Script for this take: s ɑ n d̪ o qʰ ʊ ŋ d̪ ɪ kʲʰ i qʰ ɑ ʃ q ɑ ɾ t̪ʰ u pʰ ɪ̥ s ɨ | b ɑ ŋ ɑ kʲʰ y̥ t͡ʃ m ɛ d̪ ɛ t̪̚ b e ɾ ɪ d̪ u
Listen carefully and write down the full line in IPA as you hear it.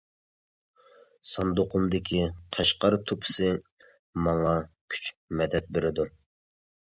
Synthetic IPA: s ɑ n d̪ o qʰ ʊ m d̪ ɪ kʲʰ i qʰ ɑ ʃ q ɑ ɾ t̪ʰ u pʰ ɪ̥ s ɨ | m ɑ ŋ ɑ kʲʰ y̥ t͡ʃ m ɛ d̪ ɛ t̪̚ b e ɾ ɪ d̪ u